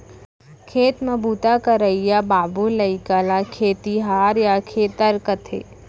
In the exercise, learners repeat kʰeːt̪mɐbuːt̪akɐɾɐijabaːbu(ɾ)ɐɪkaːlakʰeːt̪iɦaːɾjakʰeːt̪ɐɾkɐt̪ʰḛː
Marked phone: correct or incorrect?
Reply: incorrect